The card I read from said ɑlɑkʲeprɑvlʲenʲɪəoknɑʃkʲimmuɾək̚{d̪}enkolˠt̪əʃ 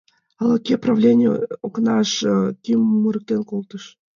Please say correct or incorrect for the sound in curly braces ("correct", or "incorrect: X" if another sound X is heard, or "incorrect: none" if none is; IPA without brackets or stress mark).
incorrect: t̪